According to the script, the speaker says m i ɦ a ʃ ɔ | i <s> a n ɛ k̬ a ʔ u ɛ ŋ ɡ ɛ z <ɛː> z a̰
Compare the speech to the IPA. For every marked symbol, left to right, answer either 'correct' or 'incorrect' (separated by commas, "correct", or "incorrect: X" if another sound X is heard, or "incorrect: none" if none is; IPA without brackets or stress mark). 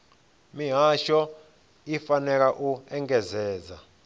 incorrect: f, correct